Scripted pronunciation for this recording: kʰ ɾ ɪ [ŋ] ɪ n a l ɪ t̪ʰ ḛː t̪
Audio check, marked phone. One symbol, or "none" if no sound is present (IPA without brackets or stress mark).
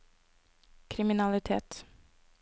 m